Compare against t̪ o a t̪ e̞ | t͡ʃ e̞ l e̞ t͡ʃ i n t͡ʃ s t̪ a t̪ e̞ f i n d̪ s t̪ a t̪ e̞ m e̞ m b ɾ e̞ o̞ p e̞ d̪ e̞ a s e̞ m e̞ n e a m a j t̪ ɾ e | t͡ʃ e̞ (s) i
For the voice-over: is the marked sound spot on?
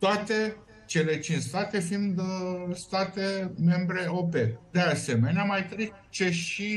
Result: no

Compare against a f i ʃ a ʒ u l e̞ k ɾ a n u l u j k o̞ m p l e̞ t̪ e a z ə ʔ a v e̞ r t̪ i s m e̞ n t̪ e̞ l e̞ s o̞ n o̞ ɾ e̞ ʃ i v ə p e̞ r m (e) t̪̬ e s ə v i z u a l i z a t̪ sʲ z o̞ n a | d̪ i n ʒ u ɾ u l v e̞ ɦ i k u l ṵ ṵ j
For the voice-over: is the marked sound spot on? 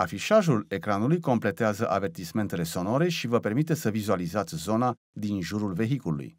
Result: no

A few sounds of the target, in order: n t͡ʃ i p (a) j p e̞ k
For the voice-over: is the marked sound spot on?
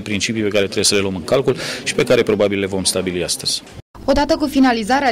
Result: no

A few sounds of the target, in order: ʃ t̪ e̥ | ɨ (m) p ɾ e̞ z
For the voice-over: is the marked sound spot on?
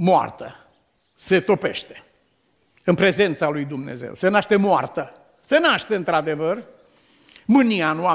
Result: no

